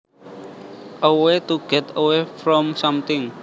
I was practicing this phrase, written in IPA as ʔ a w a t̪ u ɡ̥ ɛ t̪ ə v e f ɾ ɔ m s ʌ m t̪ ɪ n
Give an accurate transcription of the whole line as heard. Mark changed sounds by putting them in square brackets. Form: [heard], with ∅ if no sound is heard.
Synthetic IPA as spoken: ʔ [ə] w [e] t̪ u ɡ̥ ɛ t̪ ə [w] e f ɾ ɔ m s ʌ m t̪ ɪ [ŋ]